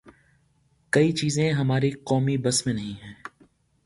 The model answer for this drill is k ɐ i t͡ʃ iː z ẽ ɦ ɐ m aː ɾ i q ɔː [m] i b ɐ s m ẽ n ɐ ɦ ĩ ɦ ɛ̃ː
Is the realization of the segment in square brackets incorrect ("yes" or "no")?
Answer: no